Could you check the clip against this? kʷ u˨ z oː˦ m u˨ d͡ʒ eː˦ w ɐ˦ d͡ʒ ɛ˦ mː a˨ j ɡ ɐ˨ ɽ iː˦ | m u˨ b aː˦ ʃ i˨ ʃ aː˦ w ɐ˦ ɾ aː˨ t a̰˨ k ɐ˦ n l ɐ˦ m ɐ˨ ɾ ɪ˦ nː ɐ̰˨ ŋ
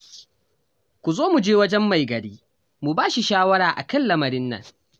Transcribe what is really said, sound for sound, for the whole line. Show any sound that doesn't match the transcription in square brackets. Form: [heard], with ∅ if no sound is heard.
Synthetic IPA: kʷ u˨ z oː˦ m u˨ d͡ʒ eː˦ w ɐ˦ d͡ʒ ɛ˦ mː a˨ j ɡ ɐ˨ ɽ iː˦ | m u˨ b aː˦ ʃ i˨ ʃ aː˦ w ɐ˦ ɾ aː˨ [ʔ] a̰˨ k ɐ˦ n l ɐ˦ m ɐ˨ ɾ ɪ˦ nː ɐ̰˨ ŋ